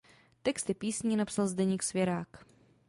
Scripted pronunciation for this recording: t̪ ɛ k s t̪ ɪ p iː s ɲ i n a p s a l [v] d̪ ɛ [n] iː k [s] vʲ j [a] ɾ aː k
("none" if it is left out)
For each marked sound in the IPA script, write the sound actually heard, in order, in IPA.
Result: z, ɲ, s, ɛ

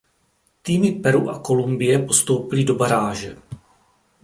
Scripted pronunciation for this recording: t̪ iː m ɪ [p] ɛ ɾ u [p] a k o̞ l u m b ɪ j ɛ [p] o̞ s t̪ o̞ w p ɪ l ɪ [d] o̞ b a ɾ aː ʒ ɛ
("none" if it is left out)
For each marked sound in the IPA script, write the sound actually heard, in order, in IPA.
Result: p, ʔ, p, d

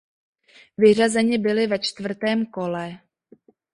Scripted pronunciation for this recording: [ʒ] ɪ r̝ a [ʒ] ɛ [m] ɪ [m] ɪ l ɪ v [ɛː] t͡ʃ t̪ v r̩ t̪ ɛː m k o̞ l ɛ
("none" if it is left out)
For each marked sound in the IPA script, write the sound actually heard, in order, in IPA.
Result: v, z, ɲ, b, ɛ

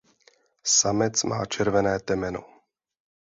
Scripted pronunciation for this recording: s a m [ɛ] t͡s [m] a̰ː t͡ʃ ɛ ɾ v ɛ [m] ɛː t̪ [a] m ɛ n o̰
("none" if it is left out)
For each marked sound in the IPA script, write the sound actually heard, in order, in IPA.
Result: ɛ, m, n, ɛ

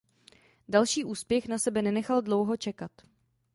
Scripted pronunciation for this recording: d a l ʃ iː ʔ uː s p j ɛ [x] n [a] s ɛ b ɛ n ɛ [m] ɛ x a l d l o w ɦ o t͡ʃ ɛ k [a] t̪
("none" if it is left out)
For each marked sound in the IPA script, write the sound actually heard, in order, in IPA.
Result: x, a, n, a

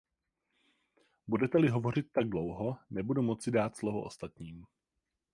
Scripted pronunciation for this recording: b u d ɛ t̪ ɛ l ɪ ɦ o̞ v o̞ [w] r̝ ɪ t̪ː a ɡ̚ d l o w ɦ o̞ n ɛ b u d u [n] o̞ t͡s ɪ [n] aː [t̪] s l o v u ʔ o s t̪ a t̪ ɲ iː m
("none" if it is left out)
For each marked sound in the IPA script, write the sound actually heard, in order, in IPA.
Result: none, m, d, t̪

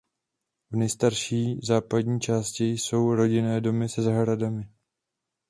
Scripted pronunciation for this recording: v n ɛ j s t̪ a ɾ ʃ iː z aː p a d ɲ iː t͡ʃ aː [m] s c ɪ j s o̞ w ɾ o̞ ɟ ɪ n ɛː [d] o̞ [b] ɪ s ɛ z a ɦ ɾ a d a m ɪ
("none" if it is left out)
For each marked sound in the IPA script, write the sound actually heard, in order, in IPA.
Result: none, d, m

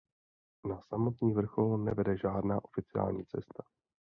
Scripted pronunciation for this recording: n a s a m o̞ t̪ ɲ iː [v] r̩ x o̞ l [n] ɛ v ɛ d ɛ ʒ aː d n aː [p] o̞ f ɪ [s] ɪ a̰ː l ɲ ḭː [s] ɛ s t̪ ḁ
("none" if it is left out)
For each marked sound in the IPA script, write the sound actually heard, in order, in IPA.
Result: v, n, ʔ, t͡s, t͡s

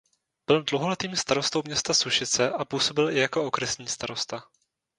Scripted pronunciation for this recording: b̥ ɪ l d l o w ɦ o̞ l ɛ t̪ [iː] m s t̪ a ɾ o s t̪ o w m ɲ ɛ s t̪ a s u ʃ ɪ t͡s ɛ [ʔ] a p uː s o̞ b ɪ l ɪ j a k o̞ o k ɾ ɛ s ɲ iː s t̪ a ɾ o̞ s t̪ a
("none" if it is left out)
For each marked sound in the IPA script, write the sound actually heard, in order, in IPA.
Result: iː, ʔ

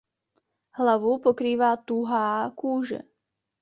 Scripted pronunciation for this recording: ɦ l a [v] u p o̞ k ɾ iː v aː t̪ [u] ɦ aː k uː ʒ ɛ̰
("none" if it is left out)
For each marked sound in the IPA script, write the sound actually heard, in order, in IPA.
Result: v, u

